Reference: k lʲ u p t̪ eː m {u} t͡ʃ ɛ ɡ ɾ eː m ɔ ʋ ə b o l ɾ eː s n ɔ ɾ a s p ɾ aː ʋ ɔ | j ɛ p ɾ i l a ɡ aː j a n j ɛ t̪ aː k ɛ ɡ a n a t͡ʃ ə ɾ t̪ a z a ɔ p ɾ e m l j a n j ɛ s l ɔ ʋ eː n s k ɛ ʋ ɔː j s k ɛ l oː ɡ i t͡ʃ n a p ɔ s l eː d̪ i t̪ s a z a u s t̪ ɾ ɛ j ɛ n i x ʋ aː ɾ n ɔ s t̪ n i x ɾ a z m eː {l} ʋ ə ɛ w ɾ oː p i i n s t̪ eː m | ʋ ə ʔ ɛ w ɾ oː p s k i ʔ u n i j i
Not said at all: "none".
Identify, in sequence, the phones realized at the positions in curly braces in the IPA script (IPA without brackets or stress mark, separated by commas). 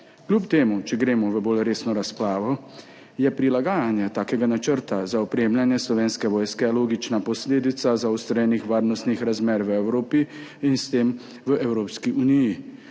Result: u, ɾ